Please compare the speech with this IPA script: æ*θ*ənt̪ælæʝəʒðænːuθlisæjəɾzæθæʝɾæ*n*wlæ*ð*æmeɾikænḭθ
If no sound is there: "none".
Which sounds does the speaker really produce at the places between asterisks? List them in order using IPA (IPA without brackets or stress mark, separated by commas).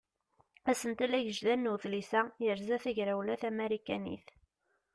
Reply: s, none, θ